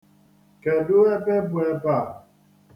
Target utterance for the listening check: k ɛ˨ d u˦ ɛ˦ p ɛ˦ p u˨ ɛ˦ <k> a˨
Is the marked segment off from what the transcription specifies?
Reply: yes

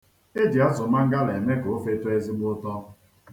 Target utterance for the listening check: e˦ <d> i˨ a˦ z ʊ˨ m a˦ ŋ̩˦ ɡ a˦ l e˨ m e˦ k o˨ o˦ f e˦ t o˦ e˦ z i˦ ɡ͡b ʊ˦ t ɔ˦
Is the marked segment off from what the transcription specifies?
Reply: no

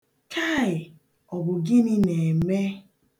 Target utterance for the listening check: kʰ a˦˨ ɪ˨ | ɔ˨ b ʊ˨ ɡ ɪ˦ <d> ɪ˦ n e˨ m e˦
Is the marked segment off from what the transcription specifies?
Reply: yes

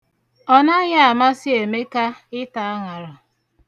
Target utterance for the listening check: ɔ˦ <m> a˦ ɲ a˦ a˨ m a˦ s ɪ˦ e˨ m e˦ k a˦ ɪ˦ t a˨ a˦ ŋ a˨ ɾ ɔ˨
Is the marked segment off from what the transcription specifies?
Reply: yes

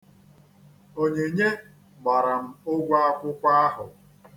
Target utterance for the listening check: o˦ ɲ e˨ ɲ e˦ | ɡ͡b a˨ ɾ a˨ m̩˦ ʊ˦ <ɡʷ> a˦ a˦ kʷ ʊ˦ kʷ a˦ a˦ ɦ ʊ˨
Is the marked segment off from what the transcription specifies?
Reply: no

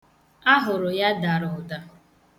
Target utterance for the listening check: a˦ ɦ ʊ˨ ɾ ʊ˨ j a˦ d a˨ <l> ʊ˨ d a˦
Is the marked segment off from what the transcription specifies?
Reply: yes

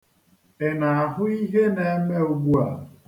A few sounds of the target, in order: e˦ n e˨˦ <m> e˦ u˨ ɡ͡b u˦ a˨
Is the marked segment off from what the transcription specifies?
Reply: no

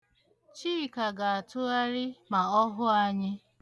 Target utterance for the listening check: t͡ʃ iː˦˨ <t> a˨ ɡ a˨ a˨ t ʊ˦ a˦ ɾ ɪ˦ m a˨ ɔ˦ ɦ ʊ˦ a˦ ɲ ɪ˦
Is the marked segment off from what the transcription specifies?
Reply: yes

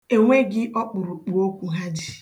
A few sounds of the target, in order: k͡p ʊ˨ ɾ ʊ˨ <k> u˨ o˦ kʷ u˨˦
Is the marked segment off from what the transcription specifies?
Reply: yes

